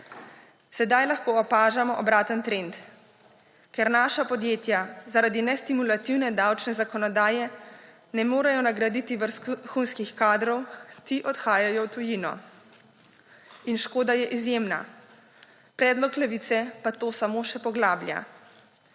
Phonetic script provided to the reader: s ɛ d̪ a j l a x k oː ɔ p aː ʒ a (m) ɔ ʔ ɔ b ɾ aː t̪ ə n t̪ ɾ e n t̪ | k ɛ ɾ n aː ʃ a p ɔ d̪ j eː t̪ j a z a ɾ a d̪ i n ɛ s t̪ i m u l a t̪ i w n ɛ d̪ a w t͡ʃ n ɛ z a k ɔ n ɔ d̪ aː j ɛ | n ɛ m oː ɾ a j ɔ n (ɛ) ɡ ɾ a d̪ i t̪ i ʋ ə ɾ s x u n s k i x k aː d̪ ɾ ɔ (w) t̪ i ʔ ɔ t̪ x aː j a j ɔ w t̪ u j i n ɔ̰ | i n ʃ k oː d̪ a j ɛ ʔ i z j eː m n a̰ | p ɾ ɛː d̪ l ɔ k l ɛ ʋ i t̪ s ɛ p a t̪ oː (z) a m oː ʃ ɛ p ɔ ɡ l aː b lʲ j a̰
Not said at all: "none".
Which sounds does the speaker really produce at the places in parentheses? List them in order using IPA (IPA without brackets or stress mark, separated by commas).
m, a, w, s